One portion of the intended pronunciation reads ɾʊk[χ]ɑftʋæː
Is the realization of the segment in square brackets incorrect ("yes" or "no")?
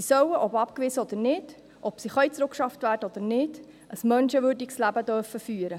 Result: yes